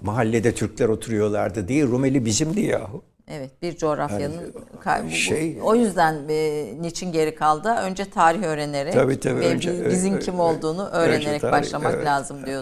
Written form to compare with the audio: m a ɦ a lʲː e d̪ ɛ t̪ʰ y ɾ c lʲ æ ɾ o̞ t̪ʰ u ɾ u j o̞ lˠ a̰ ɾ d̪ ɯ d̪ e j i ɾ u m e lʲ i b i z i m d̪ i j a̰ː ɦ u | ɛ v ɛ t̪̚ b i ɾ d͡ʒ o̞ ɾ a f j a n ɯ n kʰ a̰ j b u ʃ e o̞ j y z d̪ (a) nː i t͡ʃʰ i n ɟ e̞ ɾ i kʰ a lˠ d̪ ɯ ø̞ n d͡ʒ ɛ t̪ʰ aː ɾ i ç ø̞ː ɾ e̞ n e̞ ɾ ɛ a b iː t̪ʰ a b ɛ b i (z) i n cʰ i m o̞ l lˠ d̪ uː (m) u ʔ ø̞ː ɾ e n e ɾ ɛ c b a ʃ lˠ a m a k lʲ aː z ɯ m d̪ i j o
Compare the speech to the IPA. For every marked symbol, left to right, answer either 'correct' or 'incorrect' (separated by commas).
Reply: incorrect, correct, incorrect